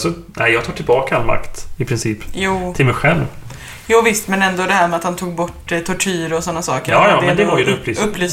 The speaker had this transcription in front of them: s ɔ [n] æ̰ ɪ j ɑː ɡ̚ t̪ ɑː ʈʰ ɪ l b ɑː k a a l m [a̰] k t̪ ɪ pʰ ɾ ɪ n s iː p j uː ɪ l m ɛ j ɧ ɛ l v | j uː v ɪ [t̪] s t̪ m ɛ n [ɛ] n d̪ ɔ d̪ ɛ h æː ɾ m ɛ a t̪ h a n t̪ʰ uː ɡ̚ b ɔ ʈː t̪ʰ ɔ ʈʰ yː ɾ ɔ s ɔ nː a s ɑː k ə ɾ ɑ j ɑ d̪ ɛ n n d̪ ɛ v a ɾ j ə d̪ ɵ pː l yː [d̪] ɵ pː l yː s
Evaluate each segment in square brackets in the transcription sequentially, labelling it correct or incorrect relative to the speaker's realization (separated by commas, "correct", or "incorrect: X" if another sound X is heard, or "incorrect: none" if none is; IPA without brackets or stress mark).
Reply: correct, correct, incorrect: none, correct, incorrect: none